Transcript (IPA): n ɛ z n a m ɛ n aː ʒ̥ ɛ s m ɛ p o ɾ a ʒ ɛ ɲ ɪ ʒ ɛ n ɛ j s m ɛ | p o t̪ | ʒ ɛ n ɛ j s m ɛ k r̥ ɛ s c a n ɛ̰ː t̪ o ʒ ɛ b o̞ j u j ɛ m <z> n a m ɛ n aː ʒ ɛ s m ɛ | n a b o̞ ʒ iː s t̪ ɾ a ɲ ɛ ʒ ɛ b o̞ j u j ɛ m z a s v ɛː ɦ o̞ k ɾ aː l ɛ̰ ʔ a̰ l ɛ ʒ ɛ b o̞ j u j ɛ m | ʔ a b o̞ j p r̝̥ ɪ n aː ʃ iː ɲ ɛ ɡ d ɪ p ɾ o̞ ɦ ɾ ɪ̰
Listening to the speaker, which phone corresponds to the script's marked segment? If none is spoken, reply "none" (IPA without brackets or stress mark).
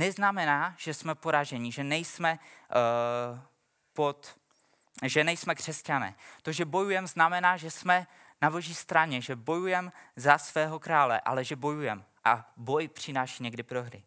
z